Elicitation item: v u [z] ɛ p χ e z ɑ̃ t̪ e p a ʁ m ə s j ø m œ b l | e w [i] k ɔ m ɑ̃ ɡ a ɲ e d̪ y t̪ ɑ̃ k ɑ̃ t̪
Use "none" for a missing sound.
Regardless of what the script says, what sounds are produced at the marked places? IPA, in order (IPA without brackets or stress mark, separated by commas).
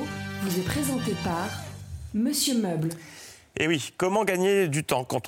z, i